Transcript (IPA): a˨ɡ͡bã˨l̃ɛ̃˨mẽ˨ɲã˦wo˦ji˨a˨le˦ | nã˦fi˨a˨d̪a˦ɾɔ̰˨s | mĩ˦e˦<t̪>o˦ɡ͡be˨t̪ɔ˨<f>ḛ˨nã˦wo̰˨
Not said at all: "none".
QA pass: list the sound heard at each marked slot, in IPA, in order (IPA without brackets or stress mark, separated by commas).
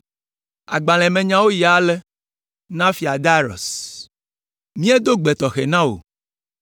d̪, x